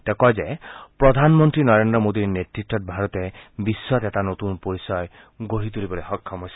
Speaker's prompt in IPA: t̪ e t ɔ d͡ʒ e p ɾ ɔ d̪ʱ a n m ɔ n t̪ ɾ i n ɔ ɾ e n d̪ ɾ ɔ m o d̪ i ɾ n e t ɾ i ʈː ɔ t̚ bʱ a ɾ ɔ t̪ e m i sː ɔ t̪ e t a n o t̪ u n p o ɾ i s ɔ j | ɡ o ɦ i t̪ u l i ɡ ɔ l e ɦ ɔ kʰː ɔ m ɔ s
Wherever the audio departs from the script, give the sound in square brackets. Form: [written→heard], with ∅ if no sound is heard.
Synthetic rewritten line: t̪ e [t→k] ɔ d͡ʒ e p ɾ ɔ d̪ʱ a n m ɔ n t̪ ɾ i n ɔ ɾ e n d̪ ɾ ɔ m o d̪ i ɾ n e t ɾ i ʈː ɔ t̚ bʱ a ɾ ɔ t̪ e [m→b] i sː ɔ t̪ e t a n o t̪ u n p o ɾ i s ɔ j | ɡ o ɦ i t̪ u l i [ɡ→b] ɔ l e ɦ ɔ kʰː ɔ m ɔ s